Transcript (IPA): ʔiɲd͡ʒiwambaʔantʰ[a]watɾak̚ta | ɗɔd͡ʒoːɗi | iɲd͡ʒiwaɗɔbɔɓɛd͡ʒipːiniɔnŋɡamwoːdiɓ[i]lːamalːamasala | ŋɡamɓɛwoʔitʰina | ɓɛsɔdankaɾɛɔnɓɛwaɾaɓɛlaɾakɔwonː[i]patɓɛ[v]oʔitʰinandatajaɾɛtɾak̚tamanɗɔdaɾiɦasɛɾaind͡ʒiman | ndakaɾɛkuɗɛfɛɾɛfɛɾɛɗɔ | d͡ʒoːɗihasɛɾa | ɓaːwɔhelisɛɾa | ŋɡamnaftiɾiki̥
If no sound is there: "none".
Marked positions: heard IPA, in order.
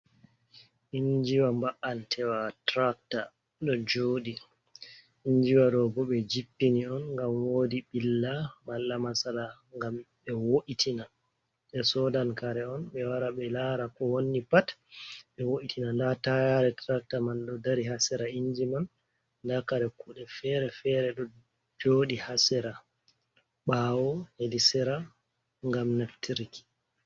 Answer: ɛ, i, i, w

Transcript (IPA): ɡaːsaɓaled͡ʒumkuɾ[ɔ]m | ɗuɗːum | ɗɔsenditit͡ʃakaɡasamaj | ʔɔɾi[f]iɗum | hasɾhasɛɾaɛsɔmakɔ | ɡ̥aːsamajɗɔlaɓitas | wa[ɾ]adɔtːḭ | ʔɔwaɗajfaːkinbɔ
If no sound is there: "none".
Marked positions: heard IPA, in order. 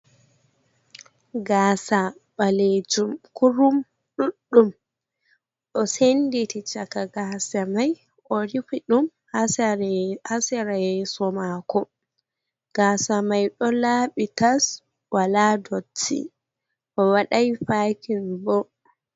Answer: u, f, l

